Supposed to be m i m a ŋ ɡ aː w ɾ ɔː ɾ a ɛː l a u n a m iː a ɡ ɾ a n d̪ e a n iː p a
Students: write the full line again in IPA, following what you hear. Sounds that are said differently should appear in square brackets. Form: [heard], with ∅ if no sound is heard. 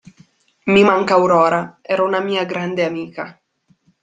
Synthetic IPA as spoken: m i m a ŋ [k] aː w ɾ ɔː ɾ a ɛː [ɾ] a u n a m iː a ɡ ɾ a n d̪ e a [m] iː [k] a